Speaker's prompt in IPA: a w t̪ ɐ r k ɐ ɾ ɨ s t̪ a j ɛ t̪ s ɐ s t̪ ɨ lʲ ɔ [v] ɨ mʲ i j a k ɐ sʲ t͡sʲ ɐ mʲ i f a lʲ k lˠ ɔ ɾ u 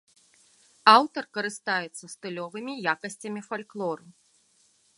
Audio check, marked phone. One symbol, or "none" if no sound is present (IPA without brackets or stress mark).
v